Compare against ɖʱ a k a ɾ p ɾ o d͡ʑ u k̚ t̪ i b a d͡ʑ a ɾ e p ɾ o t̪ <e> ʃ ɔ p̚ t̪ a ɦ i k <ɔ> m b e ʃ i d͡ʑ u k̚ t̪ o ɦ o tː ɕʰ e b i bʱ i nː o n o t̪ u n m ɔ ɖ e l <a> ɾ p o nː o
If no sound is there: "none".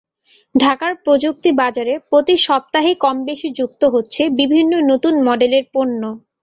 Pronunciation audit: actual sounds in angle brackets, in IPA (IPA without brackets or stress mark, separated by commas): i, ɔ, e